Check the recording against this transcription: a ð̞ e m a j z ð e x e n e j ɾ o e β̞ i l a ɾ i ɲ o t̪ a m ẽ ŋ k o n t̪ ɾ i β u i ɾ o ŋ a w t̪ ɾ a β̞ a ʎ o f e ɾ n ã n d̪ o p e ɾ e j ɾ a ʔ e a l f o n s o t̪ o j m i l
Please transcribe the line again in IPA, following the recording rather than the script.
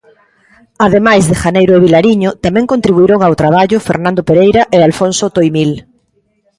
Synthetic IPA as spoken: a ð̞ e m a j z ð e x a n e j ɾ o e β̞ i l a ɾ i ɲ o t̪ a m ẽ ŋ k o n t̪ ɾ i β u i ɾ o ŋ a w t̪ ɾ a β̞ a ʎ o f e ɾ n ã n d̪ o p e ɾ e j ɾ a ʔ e a l f o n s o t̪ o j m i l